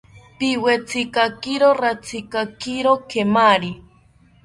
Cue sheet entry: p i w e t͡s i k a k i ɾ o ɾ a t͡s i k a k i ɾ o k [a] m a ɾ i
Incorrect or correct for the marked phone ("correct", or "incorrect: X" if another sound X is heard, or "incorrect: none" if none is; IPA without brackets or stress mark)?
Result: incorrect: e